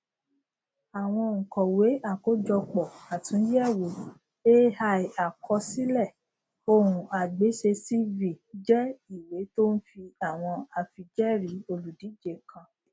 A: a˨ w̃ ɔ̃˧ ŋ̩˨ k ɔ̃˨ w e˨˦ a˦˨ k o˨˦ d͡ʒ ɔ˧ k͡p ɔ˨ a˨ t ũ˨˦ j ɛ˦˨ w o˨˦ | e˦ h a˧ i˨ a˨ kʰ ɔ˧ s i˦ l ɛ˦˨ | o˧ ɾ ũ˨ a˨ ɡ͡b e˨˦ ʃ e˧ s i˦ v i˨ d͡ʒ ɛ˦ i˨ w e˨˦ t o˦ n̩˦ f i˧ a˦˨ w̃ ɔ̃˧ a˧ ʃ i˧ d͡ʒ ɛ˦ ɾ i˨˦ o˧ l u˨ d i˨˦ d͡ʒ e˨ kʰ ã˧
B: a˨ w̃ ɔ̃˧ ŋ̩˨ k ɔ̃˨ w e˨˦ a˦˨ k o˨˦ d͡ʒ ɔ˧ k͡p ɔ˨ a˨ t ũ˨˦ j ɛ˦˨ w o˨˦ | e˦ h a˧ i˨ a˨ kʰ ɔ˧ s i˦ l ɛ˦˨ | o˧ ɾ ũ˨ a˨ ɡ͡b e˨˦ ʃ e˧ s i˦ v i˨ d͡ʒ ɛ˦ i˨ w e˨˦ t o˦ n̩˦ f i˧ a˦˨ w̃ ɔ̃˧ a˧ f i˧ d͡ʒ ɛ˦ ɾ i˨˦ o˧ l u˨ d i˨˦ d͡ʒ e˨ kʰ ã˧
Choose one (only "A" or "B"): B